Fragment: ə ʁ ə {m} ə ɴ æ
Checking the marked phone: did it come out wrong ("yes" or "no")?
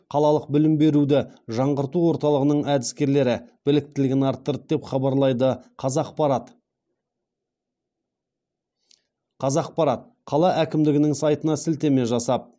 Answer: yes